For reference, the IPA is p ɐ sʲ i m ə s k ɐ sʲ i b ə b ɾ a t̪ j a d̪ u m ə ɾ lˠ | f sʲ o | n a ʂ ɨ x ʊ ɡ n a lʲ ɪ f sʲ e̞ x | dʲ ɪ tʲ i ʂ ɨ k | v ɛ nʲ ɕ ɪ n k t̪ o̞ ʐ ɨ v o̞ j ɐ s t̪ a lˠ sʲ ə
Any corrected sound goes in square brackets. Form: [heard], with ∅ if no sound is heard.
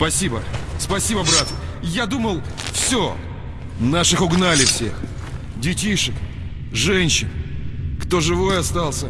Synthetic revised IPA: p ɐ sʲ i [b] ə s [p] ɐ sʲ i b ə b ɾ a t̪ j a d̪ u m ə [∅] lˠ | f sʲ o | n a ʂ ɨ x ʊ ɡ n a lʲ ɪ f sʲ e̞ x | dʲ ɪ tʲ i ʂ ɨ k | [ʐ] ɛ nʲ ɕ ɪ n k t̪ o̞ ʐ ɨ v o̞ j ɐ s t̪ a lˠ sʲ ə